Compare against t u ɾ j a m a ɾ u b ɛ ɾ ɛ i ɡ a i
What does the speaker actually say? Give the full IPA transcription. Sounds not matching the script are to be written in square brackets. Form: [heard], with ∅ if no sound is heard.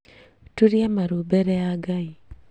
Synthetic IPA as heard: t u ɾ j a m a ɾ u b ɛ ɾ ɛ [a] ɡ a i